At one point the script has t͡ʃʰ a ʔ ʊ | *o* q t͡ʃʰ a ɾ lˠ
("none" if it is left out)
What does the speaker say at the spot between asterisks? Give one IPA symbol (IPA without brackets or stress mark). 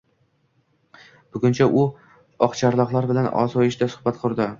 ɒ